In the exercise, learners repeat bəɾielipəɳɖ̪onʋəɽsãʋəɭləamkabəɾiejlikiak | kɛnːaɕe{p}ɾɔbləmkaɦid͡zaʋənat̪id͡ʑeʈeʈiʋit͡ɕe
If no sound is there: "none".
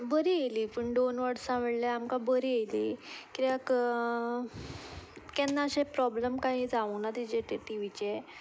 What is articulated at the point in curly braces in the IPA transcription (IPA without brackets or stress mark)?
p